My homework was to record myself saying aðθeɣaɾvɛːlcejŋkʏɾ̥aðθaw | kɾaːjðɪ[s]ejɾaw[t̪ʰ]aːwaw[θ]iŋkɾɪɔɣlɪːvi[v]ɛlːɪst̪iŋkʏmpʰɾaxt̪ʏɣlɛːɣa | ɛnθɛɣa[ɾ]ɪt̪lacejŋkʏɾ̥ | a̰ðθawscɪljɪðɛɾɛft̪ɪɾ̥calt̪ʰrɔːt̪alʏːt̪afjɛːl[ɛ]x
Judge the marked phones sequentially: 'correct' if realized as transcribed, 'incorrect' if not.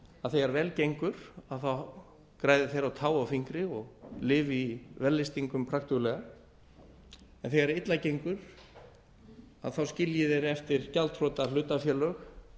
incorrect: θ, correct, incorrect: f, correct, correct, incorrect: œ

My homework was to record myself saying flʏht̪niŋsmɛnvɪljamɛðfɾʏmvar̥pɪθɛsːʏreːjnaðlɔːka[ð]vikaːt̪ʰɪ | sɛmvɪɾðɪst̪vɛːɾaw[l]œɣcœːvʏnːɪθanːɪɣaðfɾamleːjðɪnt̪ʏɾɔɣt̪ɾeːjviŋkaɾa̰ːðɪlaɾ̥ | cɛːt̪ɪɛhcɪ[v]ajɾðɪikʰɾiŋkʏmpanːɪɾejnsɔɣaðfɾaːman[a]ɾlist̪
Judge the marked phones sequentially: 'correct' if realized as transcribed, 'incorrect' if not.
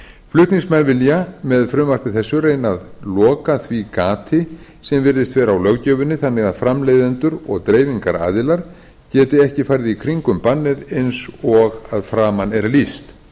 incorrect: θ, correct, incorrect: f, incorrect: ɛ

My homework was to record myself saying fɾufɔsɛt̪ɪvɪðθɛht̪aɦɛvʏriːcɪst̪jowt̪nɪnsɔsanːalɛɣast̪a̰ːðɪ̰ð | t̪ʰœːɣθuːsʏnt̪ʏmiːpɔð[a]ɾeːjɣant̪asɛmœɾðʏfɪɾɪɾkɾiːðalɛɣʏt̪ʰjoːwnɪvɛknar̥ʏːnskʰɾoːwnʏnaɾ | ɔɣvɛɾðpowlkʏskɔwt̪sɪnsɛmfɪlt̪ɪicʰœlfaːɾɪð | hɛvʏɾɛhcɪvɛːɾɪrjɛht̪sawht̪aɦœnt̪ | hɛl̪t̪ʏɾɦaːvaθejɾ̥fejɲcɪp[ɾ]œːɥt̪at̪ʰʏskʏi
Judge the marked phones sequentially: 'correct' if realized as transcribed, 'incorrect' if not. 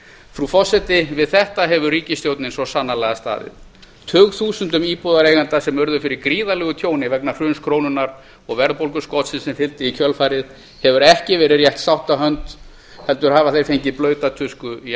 correct, incorrect: l

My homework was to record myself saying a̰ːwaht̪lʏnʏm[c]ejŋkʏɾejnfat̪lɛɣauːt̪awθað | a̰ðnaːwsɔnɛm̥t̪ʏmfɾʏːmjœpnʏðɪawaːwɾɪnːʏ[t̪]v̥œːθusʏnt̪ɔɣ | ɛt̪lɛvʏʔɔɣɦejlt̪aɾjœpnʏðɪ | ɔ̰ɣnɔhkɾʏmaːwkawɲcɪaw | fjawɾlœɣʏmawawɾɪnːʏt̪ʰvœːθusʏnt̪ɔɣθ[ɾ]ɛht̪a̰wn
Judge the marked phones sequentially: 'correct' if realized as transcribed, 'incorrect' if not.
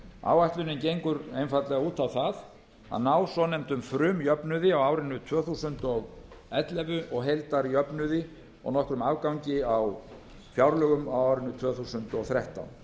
correct, incorrect: t̪ʰ, correct

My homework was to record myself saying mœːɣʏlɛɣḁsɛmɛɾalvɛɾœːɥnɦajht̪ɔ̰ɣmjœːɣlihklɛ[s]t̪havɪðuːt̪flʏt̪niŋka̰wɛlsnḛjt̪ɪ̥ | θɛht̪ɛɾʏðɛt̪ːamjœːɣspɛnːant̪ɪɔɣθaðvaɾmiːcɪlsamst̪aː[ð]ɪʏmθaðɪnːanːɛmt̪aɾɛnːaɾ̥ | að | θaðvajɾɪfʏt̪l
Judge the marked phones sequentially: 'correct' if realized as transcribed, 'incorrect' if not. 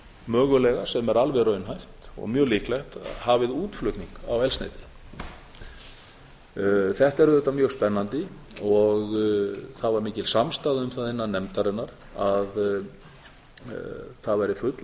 incorrect: x, correct

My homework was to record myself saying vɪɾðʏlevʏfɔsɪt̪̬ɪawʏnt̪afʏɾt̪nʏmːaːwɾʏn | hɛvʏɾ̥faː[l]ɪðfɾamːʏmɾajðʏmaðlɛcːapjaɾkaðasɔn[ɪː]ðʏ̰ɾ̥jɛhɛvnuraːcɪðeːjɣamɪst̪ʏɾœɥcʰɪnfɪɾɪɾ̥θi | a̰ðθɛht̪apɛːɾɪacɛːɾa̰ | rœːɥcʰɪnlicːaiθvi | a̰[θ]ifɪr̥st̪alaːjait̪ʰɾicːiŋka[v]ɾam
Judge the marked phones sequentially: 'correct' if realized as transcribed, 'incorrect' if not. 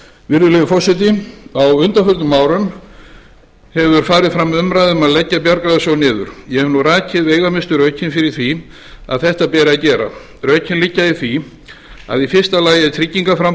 incorrect: ɾ, correct, incorrect: ð, incorrect: f

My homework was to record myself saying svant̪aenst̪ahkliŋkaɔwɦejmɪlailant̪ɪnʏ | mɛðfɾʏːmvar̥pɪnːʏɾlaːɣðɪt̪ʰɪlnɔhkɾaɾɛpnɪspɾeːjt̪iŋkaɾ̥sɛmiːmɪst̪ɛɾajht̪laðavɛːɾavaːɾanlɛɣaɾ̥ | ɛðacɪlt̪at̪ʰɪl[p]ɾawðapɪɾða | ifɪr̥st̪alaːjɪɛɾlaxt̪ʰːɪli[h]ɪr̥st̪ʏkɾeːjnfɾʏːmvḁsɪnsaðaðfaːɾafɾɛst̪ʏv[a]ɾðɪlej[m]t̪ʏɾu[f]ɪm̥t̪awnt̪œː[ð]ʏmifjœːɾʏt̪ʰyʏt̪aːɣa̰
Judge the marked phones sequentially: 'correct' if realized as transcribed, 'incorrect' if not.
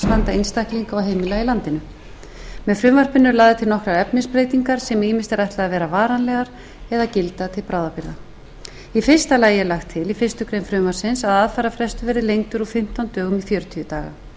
correct, incorrect: f, incorrect: ɛ, incorrect: ŋ, correct, incorrect: ɣ

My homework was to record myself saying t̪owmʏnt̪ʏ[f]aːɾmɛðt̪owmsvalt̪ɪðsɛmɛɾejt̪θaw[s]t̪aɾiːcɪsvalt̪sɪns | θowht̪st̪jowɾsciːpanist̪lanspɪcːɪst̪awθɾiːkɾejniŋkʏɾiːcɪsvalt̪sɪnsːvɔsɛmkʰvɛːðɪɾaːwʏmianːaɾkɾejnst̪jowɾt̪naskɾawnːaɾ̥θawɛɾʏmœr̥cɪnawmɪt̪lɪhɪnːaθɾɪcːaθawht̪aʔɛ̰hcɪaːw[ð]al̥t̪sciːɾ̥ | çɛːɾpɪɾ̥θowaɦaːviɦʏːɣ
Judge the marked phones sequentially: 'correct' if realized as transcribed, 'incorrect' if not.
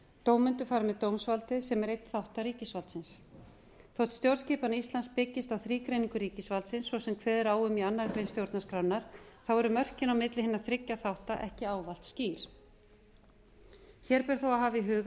correct, incorrect: h, incorrect: v

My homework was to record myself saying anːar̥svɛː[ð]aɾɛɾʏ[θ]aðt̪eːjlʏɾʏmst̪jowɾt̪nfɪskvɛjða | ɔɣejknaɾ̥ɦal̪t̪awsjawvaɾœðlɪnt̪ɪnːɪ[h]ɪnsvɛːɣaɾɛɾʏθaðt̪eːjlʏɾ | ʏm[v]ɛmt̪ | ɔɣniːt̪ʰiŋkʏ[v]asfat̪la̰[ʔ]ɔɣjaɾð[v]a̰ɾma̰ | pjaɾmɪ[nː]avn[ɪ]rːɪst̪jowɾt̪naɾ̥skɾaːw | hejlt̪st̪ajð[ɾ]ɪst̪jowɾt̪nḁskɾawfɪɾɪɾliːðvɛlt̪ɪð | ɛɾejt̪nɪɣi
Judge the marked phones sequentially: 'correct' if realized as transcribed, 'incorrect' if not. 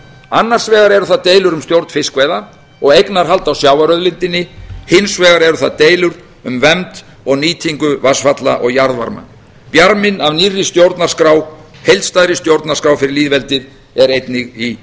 incorrect: ɣ, correct, correct, correct, correct, correct, correct, incorrect: n, incorrect: i, correct

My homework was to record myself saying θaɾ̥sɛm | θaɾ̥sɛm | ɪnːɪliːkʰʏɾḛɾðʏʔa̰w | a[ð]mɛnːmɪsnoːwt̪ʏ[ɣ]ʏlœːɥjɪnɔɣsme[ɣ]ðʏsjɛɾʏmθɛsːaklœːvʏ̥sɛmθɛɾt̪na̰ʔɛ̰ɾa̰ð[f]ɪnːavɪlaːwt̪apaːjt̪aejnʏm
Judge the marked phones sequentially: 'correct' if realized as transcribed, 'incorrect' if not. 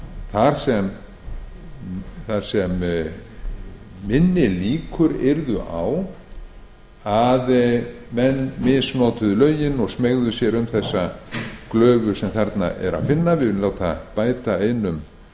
correct, incorrect: ð, correct, correct

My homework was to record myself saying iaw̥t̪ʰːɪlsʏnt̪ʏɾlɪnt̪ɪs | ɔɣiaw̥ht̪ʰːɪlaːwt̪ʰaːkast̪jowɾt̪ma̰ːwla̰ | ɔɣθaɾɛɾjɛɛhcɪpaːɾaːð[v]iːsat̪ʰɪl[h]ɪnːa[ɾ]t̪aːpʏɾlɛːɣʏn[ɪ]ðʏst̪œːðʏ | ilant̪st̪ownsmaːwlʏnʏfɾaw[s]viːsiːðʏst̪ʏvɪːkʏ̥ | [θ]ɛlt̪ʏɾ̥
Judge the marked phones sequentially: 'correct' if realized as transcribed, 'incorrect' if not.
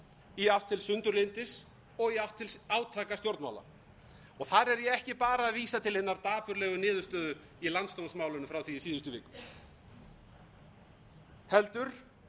correct, correct, correct, incorrect: ɪː, incorrect: θ, incorrect: h

